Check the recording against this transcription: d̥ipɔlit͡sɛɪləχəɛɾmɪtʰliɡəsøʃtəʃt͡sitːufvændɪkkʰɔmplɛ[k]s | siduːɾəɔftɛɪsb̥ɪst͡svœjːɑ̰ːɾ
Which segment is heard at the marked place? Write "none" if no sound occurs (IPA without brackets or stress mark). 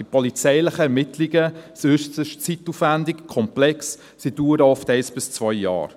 k